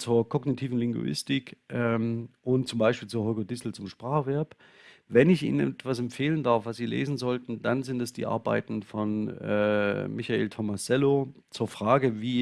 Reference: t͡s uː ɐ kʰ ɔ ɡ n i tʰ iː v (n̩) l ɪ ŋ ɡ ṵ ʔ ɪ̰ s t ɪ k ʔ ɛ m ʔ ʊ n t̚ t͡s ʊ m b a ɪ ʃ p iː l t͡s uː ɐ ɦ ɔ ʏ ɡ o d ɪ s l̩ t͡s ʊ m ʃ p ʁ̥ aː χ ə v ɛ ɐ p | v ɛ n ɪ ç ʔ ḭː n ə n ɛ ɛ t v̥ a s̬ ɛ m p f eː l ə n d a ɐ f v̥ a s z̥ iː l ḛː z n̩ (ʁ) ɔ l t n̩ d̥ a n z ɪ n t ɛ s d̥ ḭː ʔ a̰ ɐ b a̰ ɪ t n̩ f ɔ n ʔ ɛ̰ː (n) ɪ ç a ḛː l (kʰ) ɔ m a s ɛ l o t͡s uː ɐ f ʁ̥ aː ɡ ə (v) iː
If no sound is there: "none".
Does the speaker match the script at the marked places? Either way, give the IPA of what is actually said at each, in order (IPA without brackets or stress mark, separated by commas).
n̩, z, m, tʰ, v